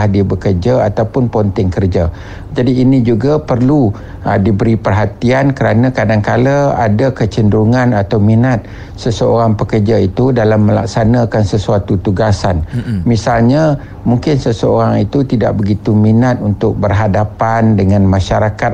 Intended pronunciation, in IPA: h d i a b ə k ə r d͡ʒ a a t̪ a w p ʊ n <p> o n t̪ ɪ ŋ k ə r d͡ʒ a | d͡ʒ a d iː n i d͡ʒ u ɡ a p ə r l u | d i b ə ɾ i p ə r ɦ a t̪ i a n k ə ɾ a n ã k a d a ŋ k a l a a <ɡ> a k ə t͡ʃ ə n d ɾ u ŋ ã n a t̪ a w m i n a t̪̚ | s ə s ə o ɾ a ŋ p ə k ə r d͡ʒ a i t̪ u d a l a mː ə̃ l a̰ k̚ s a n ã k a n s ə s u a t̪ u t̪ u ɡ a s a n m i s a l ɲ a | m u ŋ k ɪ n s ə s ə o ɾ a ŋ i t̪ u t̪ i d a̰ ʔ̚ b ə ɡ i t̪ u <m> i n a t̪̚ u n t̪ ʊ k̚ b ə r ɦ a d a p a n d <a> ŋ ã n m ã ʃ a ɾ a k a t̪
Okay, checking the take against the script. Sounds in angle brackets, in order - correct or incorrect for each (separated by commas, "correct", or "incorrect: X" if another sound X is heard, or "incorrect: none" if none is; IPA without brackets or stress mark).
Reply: correct, incorrect: d, correct, incorrect: ə